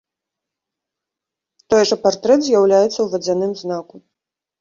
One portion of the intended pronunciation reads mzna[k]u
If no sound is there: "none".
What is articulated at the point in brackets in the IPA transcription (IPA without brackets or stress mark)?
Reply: k